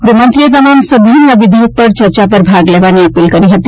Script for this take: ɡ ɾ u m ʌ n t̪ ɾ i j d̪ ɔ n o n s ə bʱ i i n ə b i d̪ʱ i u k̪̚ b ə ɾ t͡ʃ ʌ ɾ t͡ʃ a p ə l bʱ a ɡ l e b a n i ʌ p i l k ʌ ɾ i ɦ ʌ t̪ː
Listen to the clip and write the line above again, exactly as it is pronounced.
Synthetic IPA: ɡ ɾ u m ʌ n t̪ ɾ i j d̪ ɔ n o n s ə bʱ i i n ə b i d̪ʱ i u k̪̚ p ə ɾ t͡ʃ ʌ ɾ t͡ʃ a p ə ɾ bʱ a ɡ l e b a n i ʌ p i l k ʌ ɾ i ɦ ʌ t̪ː

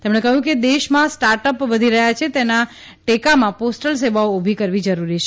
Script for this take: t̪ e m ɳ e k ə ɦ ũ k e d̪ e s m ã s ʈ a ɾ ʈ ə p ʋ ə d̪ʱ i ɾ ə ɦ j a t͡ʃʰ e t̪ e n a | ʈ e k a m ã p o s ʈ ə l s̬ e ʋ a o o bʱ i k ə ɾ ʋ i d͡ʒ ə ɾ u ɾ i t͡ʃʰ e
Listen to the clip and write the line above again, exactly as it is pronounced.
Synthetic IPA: t̪ e m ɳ e k ə ɦ ũ k e d̪ e ʃ m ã s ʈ a ɾ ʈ ə p ʋ ə d̪ʱ i ɾ ə ɦ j a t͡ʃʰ e t̪ e n a | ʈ e k a m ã p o s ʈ ə l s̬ e ʋ a o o bʱ i k ə ɾ ʋ i d͡ʒ ə ɾ u ɾ i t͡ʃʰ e

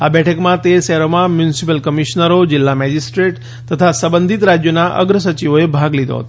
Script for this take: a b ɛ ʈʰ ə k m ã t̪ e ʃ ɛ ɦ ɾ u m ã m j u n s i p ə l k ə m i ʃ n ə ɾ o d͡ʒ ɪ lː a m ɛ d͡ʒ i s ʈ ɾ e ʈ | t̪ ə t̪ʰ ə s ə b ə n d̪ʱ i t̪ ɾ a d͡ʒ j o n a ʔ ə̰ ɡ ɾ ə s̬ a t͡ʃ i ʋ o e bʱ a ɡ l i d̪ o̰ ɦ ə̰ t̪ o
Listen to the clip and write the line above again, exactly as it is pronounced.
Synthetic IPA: a b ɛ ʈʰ ə k m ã t̪ e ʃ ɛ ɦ ɾ o m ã m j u n s i p ə l k ə m i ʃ n ə ɾ o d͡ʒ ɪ lː a m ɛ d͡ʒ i s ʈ ɾ e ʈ | t̪ ə t̪ʰ a s ə b ə n d̪ʱ i t̪ ɾ a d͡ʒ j o n a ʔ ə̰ ɡ ɾ ə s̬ ə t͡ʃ i ʋ o e bʱ a ɡ l i d̪ o̰ ɦ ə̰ t̪ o

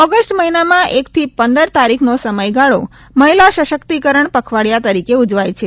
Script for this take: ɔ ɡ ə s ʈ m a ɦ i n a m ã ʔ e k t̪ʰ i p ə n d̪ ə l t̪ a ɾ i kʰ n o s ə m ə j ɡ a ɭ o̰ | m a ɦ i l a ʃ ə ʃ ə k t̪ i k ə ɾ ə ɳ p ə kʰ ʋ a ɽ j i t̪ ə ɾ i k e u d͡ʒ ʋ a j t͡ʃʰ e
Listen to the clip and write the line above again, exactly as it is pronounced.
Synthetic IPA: ɔ ɡ ə s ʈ m ə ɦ i n a m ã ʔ e k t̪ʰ i p ə n d̪ ə ɾ t̪ a ɾ i kʰ n o s ə m ə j ɡ a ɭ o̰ | m ə ɦ i l a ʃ ə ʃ ə k t̪ i k ə ɾ ə ɳ p ə kʰ ʋ a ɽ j a t̪ ə ɾ i k e u d͡ʒ ʋ a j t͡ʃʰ e

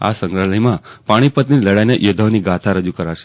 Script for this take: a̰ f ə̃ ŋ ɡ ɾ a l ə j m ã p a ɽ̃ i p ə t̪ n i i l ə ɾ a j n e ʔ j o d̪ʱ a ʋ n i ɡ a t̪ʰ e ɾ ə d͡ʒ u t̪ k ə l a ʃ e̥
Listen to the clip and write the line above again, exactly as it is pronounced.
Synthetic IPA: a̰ s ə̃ ŋ ɡ ɾ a l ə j m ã p a ɽ̃ i p ə t̪ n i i l ə ɽ a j n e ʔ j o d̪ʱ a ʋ n i ɡ a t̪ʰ a ɾ ə d͡ʒ u k ə ɾ a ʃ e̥

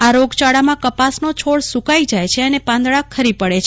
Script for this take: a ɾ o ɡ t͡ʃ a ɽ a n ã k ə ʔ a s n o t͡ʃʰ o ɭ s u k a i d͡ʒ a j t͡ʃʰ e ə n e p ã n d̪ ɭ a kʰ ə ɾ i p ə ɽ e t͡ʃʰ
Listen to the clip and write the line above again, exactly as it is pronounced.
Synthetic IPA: a ɾ o ɡ t͡ʃ a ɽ a m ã k ə p a s n o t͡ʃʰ o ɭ s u k a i d͡ʒ a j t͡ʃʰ e ə n e p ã n d̪ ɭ a kʰ ə ɾ i p ə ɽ e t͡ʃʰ

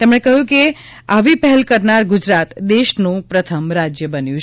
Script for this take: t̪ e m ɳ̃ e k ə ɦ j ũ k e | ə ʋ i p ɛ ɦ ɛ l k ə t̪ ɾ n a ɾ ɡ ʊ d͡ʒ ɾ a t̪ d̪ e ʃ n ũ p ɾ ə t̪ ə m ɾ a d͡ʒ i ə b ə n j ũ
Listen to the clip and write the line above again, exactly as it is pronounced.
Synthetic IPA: t̪ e m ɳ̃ e k ə ɦ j ũ k e | a ʋ i p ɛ ɦ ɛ l k ə ɾ n a ɾ ɡ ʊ d͡ʒ ɾ a t̪ d̪ e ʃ n ũ p ɾ ə t̪ʰ ə m ɾ a d͡ʒ j ə b ə n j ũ

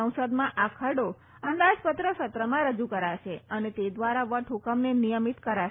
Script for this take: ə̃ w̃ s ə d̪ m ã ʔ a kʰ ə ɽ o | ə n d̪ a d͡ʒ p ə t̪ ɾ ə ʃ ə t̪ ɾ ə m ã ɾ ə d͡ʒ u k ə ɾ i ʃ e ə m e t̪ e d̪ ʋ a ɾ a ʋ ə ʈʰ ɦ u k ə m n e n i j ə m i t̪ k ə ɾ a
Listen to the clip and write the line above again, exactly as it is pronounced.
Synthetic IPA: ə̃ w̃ s ə d̪ m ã ʔ a kʰ ə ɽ o | ə n d̪ a d͡ʒ p ə t̪ ɾ ə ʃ ə t̪ ɾ ə m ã ɾ ə d͡ʒ u k ə ɾ a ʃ e ə n e t̪ e d̪ ʋ a ɾ a ʋ ə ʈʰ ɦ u k ə m n e n i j ə m i t̪ k ə ɾ a

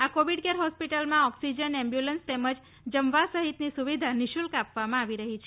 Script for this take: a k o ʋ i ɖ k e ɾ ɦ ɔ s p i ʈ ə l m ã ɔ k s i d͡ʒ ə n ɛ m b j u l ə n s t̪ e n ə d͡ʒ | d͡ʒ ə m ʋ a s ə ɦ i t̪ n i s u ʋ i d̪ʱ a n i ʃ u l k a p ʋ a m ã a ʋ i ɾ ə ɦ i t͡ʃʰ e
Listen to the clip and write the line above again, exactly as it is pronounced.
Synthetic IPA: a k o ʋ i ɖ k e ɾ ɦ ɔ s p i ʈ ə l m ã ɔ k s i d͡ʒ ə n ɛ m b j u l ə n s t̪ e m ə d͡ʒ | d͡ʒ ə m ʋ a s ə ɦ i t̪ n i s u ʋ i d̪ʱ a n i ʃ u l k a p ʋ a m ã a ʋ i ɾ ə ɦ i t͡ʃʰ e

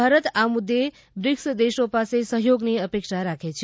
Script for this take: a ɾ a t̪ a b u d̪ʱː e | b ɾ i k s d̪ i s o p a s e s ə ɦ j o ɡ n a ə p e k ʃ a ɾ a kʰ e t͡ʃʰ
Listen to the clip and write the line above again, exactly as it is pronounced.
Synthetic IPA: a ɾ ə t̪ a m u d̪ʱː e | b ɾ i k s d̪ e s o p a s e s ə ɦ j o ɡ n e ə p e k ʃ a ɾ a kʰ e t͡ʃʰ

